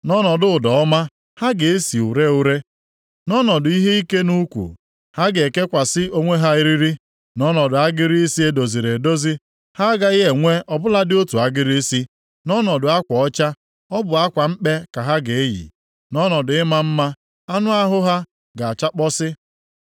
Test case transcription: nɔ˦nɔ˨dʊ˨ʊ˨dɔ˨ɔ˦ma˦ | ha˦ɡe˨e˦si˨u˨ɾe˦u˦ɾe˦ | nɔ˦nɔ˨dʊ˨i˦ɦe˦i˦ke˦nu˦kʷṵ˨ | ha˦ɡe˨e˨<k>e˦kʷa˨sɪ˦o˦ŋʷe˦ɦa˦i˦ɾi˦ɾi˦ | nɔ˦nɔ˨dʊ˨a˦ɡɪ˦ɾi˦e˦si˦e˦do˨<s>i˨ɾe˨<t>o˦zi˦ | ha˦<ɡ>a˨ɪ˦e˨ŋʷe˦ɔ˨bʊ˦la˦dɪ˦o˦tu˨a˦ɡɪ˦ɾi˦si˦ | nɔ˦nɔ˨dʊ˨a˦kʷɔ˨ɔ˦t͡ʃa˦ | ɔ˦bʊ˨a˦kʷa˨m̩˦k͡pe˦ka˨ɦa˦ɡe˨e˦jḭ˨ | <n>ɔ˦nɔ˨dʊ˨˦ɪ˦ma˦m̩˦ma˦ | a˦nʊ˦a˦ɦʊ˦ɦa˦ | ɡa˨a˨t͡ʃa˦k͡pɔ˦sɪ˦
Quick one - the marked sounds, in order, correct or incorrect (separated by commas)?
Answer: correct, incorrect, incorrect, correct, correct